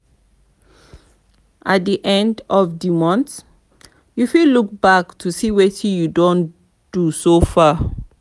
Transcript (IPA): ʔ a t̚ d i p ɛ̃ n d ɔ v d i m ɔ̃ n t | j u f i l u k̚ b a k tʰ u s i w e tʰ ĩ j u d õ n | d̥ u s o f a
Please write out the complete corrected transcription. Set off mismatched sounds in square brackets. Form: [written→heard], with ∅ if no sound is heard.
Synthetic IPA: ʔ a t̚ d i [p→ʔ] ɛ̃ n d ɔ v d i m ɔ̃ n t | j u f i l u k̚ b a k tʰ u s i w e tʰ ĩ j u d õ n | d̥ u s o f a